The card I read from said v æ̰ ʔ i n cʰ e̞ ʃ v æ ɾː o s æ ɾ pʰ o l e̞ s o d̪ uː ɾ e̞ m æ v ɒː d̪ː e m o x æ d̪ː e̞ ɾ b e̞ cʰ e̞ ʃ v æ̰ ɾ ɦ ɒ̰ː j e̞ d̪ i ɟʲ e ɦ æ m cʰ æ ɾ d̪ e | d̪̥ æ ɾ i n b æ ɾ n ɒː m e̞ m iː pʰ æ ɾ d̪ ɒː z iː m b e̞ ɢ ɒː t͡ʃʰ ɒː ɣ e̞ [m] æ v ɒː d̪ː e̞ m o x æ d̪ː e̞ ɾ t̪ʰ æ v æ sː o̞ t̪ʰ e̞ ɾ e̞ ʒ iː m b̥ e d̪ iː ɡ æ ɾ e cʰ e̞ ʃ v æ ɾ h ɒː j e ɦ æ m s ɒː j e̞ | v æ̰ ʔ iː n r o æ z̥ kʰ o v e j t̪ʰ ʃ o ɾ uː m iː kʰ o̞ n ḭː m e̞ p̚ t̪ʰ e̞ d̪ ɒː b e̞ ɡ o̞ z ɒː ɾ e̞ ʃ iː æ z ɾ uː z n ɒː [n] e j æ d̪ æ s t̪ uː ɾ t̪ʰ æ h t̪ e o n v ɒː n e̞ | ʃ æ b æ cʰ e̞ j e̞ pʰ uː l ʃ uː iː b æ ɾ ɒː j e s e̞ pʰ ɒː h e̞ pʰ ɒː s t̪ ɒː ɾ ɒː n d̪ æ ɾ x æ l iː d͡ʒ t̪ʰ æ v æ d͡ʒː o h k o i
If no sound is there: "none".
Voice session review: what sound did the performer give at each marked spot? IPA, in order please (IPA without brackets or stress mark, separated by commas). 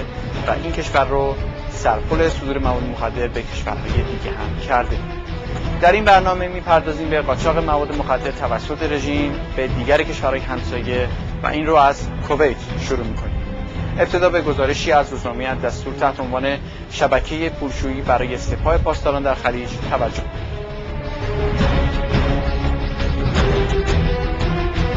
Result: m, m